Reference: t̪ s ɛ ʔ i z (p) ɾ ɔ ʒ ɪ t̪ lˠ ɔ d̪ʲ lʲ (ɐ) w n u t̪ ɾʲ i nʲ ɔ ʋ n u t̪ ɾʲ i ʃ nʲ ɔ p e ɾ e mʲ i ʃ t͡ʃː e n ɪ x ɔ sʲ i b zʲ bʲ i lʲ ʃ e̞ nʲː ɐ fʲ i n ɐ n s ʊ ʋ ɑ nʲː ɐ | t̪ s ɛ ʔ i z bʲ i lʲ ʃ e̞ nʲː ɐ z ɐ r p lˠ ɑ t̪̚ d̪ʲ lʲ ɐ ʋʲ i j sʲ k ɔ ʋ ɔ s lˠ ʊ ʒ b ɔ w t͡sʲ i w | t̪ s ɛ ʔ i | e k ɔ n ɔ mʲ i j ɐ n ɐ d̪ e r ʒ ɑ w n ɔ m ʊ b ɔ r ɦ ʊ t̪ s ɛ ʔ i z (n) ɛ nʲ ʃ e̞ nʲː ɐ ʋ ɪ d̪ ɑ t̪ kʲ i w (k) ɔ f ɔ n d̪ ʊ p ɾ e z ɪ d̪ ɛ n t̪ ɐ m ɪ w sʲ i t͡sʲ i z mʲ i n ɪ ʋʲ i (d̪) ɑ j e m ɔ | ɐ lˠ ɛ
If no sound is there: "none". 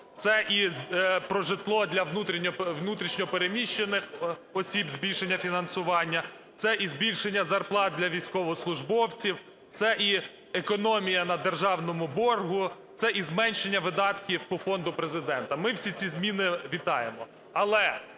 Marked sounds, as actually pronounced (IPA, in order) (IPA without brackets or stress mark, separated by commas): p, ɐ, m, p, t̪